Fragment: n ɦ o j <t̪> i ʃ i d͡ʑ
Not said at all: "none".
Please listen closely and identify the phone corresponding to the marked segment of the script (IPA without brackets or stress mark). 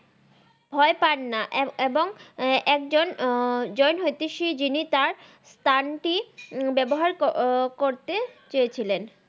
t̪